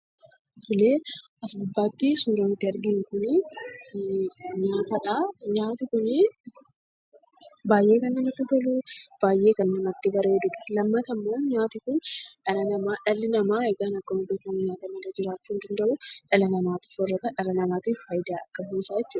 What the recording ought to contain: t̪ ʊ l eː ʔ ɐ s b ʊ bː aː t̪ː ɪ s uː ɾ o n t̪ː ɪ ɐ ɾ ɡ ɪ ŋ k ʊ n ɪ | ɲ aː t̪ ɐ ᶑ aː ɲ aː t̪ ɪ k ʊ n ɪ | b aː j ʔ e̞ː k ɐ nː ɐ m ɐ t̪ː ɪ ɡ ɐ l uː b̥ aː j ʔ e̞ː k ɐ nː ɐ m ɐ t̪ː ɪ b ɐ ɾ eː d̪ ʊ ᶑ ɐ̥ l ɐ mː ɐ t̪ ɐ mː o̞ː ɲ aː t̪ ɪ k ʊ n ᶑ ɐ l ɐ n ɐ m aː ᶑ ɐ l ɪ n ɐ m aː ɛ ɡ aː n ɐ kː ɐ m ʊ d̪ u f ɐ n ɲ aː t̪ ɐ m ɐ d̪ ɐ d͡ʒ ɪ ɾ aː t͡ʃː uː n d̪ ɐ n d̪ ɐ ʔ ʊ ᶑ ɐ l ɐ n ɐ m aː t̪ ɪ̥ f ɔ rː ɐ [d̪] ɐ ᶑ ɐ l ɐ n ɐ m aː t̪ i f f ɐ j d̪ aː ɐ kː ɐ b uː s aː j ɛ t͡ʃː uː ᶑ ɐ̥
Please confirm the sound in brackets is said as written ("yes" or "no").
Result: no